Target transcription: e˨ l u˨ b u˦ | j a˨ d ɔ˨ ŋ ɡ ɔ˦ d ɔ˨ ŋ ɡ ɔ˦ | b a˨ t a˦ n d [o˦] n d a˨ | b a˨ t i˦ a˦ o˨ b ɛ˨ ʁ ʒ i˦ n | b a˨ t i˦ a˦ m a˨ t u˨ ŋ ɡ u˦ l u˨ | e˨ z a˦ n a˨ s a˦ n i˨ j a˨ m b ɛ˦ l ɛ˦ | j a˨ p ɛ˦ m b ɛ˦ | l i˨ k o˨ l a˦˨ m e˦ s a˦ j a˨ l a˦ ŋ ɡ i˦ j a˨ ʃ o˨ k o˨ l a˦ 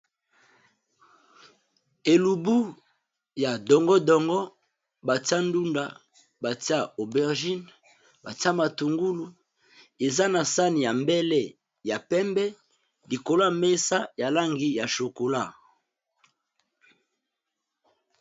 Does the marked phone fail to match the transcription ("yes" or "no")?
yes